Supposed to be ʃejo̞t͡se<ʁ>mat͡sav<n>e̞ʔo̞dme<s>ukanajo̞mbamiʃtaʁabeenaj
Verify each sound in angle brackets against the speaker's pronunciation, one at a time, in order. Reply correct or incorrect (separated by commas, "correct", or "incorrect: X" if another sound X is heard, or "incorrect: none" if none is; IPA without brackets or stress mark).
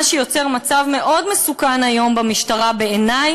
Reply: correct, incorrect: m, correct